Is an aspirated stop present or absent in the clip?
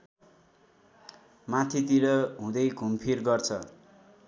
present